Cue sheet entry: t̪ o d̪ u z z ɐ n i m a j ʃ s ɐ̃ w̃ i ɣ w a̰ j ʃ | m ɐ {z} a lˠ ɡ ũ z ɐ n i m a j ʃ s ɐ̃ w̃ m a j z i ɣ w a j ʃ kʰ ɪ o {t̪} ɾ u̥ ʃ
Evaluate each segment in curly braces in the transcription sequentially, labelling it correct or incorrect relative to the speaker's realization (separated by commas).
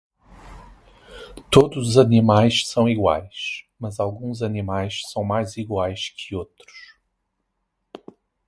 correct, correct